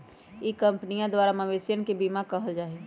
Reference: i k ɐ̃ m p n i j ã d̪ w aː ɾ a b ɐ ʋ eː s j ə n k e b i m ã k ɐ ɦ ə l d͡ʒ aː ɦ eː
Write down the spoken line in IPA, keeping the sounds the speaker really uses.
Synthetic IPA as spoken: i k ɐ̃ m p n i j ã d̪ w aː ɾ a m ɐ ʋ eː s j ə n k e b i m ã k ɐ ɦ ə l d͡ʒ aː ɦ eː